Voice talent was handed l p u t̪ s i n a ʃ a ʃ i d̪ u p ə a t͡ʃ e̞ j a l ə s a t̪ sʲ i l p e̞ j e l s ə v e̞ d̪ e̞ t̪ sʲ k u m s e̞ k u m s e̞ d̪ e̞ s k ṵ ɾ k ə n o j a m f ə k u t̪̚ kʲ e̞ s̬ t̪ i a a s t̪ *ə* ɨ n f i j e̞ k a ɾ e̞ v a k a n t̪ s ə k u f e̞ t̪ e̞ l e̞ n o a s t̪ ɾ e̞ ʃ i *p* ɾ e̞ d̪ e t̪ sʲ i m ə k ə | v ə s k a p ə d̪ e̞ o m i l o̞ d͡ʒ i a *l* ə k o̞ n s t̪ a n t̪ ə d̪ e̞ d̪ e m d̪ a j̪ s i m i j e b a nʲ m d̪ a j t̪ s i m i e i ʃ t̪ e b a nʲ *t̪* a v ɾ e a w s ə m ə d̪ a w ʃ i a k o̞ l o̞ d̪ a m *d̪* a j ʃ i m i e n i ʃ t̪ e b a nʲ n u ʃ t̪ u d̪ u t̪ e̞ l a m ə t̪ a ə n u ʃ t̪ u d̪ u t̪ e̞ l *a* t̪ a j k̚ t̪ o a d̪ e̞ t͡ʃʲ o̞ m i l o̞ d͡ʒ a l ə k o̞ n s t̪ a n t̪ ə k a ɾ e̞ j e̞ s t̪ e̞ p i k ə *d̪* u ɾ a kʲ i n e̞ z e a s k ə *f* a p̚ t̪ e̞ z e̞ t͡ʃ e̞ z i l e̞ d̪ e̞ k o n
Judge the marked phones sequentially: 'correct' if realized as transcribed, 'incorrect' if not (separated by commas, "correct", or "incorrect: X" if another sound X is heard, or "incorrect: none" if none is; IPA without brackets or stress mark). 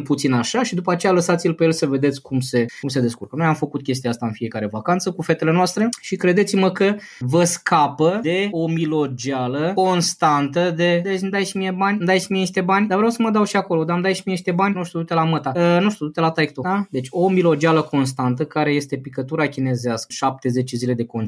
incorrect: a, incorrect: k, correct, incorrect: d̪, correct, correct, incorrect: t̪, incorrect: ʃ